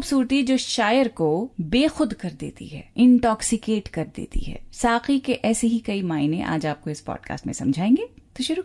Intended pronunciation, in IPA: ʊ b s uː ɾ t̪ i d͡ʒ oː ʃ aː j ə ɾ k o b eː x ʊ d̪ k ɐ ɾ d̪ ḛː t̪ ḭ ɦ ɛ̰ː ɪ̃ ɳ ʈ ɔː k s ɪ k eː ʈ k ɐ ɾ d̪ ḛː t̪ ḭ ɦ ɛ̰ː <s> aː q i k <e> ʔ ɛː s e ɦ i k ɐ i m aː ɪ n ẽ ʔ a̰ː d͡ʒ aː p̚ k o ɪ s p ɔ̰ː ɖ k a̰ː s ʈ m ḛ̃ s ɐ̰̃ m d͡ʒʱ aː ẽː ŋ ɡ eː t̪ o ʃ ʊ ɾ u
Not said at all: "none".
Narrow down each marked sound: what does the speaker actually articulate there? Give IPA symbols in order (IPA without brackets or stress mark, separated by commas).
s, e